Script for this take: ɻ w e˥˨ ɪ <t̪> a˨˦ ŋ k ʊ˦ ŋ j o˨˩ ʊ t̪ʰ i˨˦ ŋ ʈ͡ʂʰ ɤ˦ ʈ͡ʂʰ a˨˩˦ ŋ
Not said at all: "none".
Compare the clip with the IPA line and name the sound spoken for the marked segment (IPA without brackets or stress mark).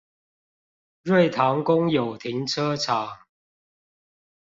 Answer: t̪ʰ